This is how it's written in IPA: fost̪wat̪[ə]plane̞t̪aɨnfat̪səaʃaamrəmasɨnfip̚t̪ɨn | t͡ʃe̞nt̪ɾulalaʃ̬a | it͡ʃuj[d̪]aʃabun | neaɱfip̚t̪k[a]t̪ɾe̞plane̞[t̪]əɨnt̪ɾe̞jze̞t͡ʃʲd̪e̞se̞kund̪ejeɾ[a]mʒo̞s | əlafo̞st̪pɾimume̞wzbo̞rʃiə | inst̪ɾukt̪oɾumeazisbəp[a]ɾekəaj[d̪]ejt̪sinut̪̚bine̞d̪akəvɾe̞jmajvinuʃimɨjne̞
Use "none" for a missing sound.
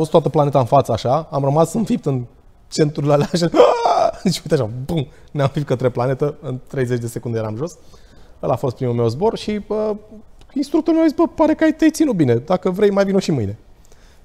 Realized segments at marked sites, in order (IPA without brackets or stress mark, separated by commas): ə, t̪, ə, t̪, a, a, t̪